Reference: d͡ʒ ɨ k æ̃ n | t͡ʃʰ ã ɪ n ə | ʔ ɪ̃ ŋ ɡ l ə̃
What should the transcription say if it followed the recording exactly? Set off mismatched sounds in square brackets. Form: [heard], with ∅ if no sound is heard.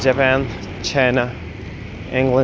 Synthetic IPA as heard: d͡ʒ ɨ [p] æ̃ n | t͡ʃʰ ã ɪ n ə | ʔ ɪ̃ ŋ ɡ l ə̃